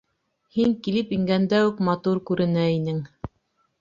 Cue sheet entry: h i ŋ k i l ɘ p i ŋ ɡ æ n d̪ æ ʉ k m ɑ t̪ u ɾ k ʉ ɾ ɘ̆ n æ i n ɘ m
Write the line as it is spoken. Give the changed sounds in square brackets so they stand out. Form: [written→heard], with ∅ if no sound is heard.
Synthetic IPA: h i ŋ k i l ɘ p i ŋ ɡ æ n d̪ æ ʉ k m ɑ t̪ u ɾ k ʉ ɾ ɘ̆ n æ i n ɘ [m→ŋ]